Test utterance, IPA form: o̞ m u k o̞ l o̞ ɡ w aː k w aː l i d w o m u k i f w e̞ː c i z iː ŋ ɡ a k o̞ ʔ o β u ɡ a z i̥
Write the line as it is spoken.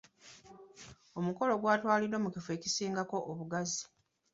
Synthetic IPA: o̞ m u k o̞ l o̞ ɡ w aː t w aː l i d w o m u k i f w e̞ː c i s iː ŋ ɡ a k o̞ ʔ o β u ɡ a z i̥